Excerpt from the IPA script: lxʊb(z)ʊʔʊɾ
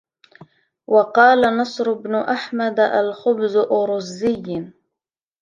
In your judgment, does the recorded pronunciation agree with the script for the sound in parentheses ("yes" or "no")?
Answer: yes